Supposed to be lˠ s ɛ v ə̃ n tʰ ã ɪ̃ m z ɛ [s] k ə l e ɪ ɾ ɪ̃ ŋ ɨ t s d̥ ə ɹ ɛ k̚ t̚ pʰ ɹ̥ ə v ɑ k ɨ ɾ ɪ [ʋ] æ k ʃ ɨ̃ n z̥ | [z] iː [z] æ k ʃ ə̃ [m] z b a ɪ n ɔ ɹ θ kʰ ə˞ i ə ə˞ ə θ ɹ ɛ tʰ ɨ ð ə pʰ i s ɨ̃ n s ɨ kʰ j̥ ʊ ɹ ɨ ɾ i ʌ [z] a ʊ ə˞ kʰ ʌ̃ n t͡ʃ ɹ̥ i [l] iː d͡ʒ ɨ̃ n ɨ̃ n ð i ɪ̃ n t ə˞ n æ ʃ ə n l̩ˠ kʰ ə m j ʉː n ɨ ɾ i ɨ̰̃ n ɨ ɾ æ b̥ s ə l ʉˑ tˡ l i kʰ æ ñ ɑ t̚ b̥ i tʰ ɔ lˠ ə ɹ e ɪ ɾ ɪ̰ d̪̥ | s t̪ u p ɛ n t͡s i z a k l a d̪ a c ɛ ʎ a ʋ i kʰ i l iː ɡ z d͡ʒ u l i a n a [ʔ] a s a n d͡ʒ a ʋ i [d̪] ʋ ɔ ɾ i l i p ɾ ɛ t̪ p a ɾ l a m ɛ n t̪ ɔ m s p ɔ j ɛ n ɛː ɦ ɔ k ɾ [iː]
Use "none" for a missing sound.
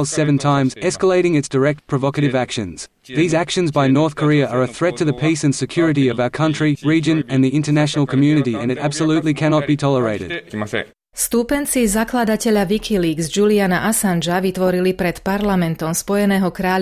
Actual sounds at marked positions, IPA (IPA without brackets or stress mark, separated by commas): s, v, ð, z, n, v, ɹ, ʔ, t̪, aː